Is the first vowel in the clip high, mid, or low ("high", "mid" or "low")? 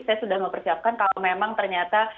low